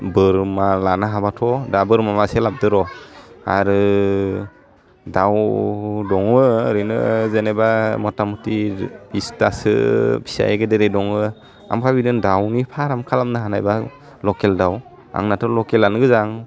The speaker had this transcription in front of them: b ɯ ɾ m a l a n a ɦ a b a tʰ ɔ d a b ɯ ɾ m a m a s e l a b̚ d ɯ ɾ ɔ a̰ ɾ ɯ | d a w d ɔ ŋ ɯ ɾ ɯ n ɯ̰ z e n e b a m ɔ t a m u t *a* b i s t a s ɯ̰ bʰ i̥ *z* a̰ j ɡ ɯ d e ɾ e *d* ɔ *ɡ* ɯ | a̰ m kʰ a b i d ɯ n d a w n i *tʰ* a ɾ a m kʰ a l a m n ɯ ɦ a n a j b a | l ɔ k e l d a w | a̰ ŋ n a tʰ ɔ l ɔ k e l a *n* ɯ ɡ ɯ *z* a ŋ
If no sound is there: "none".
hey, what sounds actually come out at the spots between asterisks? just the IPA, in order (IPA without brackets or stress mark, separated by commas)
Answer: i, s, d, ŋ, pʰ, n, z